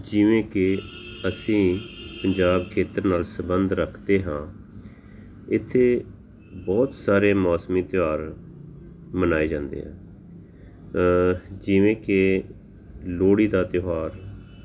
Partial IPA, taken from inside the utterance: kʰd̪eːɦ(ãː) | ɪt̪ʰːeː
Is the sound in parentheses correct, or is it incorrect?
correct